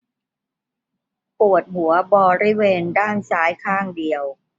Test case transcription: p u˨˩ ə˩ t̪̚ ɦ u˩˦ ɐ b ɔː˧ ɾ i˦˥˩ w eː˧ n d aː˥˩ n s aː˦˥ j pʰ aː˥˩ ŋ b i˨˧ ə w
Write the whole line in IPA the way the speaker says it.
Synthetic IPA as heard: p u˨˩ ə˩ t̪̚ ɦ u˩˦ ɐ b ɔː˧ ɾ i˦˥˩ w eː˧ n d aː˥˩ n s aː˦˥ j kʰ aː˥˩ ŋ d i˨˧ ə w